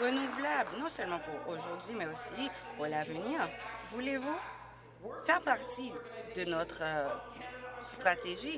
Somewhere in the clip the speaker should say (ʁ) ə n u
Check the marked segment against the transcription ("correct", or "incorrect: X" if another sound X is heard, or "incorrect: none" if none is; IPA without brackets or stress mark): correct